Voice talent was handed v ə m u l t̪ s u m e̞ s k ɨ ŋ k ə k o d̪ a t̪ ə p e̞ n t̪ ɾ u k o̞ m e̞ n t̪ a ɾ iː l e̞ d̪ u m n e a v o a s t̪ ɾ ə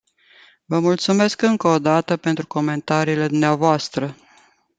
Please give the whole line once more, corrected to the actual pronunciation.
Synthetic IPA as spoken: v ə m u l t̪ s u m e̞ s k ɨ ŋ k ə o d̪ a t̪ ə p e̞ n t̪ ɾ u k o̞ m e̞ n t̪ a ɾ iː l e̞ d̪ u m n e a v o a s t̪ ɾ ə